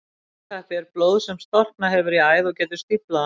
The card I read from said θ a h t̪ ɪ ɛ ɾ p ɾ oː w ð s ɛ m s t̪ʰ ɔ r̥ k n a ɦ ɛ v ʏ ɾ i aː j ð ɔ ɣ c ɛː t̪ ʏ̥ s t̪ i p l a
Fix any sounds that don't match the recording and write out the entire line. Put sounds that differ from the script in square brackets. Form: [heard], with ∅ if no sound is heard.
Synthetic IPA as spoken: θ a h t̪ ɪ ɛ ɾ p [l] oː w ð s ɛ m s [t̪] ɔ r̥ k n a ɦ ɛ v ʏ ɾ i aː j ð ɔ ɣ c ɛː t̪ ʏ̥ s t̪ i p l a